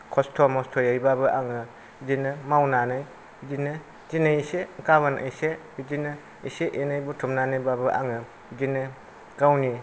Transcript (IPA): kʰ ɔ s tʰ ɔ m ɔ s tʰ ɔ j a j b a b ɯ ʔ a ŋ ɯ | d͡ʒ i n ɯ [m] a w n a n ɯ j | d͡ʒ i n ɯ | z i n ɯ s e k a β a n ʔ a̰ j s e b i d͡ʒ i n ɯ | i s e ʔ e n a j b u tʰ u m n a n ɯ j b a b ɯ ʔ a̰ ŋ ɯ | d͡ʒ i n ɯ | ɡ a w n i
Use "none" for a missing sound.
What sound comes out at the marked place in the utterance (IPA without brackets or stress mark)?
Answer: m